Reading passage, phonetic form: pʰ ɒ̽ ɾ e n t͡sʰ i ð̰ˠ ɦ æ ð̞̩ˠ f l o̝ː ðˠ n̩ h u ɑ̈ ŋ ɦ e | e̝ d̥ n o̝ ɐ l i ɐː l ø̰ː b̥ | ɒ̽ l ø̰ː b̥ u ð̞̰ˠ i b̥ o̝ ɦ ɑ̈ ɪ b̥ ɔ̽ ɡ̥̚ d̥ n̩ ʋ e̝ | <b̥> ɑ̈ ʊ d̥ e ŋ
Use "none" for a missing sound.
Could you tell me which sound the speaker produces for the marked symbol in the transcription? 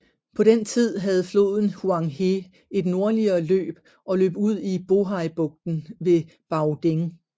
b̥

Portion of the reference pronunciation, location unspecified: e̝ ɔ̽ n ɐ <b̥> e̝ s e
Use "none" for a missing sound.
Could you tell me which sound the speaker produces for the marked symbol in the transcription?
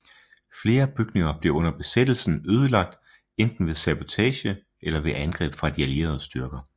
b̥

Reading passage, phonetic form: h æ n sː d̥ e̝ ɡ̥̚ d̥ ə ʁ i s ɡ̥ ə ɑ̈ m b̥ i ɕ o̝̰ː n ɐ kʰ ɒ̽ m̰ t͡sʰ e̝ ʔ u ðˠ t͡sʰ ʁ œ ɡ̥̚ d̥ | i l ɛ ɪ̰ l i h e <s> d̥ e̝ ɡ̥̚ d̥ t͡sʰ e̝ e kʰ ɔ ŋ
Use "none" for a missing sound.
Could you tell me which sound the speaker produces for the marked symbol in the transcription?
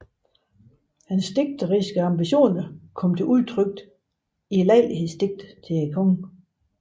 s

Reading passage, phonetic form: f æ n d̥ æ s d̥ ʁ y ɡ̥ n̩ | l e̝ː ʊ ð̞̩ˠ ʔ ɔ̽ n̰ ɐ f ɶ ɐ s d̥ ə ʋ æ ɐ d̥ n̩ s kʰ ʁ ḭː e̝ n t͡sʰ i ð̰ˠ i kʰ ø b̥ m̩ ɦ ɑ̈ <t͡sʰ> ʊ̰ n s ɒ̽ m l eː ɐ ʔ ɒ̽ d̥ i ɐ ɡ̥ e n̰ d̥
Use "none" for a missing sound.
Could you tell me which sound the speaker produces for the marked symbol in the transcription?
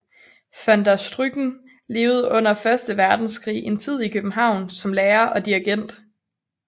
none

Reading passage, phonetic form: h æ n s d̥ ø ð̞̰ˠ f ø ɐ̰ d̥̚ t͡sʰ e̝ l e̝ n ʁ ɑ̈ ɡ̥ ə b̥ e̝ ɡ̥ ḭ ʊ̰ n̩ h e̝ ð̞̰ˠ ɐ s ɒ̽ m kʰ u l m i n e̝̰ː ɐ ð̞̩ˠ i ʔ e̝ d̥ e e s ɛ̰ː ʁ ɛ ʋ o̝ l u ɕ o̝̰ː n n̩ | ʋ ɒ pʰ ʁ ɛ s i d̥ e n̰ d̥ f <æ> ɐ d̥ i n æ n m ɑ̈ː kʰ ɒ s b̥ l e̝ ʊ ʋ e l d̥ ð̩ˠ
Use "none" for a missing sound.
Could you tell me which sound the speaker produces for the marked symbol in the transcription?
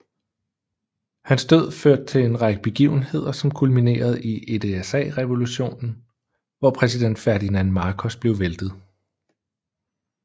æ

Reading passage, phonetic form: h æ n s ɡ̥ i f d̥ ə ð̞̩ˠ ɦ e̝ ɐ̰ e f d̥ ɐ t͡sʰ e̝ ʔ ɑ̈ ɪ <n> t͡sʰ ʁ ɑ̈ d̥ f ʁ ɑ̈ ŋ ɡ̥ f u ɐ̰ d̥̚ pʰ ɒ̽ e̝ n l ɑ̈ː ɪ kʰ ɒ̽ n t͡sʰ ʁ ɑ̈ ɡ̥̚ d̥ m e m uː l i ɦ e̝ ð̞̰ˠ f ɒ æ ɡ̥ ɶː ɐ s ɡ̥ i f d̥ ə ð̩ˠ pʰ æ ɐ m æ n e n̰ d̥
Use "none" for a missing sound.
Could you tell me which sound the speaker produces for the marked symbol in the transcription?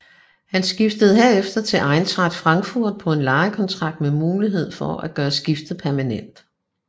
n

